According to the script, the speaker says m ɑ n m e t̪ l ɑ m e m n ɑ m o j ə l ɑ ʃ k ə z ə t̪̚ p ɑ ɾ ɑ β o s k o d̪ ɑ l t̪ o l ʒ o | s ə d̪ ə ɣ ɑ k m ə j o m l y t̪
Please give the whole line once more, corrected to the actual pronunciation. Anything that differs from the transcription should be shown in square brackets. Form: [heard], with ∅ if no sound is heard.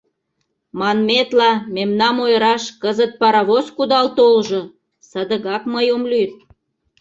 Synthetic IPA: m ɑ n m e t̪ l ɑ m e m n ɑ m o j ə [ɾ] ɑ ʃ k ə z ə t̪̚ p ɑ ɾ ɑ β o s k [u] d̪ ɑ l t̪ o l ʒ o | s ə d̪ ə ɣ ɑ k m ə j o m l y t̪